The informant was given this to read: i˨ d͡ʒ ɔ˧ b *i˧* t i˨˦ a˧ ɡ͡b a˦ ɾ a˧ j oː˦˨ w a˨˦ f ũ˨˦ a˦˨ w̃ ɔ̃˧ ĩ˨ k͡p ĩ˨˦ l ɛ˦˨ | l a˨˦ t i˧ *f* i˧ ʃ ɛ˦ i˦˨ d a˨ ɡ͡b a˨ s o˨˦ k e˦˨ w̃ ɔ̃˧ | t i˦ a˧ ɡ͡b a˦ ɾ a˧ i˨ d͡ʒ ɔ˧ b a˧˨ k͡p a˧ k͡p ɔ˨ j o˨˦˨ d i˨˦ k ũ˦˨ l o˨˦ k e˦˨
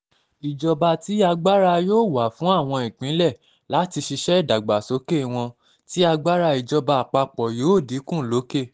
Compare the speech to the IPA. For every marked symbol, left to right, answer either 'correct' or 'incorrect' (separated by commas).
incorrect, incorrect